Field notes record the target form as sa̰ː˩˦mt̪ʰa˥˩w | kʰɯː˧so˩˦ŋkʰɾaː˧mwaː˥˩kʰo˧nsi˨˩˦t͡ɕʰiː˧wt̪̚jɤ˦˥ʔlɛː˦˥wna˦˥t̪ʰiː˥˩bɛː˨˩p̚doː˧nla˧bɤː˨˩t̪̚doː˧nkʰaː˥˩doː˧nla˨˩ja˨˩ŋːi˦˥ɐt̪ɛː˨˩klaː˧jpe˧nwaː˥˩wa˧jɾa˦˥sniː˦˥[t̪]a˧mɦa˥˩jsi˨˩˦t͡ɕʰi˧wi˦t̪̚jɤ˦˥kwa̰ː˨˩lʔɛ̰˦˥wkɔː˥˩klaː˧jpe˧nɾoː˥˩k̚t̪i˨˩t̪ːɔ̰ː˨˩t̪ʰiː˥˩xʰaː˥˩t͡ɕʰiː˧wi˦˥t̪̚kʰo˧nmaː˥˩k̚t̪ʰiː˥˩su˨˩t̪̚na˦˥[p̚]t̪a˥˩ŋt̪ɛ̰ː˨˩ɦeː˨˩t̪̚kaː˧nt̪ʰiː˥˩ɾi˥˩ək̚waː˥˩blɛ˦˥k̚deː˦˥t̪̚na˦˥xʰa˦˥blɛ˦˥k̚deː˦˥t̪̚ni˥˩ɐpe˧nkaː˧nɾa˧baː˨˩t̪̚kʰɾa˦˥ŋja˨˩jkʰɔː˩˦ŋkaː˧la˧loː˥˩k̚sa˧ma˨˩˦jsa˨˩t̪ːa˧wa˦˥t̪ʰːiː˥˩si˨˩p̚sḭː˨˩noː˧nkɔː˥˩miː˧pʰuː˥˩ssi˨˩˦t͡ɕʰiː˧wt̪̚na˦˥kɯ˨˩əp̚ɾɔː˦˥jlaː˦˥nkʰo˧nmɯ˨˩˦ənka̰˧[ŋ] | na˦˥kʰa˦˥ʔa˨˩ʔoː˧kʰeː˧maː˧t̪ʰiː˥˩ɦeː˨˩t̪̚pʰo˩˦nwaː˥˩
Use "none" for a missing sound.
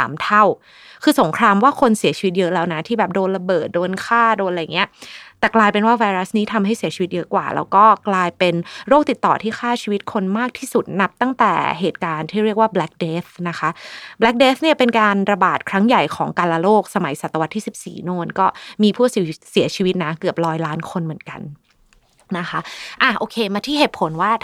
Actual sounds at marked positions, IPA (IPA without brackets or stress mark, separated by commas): t̪ʰ, p̚, n